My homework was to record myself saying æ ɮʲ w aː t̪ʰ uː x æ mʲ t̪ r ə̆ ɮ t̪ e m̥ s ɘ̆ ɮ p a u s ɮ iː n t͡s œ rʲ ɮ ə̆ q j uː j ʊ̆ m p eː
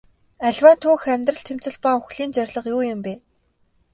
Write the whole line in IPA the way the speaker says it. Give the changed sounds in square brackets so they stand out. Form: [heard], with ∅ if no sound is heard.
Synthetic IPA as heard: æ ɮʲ w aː t̪ʰ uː x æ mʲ t̪ r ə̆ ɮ [t̪ʰ] e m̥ [t͡s] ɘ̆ ɮ p a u [x] ɮ iː n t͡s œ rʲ ɮ ə̆ q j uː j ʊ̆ m p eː